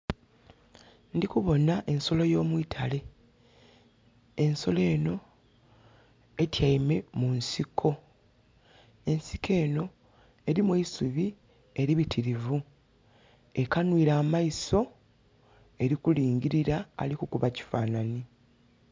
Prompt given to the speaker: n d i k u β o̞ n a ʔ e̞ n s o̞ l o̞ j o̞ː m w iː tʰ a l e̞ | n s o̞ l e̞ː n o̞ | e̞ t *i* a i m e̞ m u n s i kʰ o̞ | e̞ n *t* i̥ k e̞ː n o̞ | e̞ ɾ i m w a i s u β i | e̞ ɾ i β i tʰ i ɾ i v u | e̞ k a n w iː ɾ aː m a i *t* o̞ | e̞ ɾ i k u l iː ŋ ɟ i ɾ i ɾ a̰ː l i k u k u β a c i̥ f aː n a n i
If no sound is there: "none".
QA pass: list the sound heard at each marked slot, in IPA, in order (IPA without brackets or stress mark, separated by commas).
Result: j, s, s